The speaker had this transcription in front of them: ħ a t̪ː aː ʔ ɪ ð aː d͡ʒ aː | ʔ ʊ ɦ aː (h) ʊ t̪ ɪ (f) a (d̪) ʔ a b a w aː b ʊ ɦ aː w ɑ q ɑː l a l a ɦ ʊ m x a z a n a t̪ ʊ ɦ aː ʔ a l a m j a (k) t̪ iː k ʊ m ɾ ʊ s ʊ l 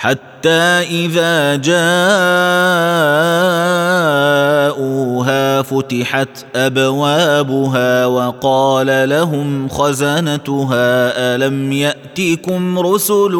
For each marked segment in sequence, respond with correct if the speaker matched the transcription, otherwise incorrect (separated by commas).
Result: incorrect, incorrect, incorrect, incorrect